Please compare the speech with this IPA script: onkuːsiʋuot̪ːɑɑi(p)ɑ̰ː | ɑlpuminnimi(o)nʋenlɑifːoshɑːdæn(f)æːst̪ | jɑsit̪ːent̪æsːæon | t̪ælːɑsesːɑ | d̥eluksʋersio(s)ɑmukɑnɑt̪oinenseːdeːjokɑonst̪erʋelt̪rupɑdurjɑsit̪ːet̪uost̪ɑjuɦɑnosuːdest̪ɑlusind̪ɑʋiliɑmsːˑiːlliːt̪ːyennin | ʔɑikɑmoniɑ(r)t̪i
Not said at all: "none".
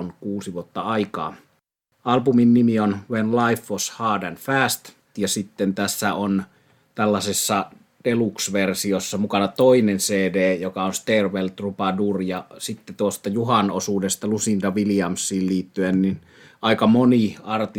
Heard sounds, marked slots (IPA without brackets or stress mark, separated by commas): k, o, f, sː, r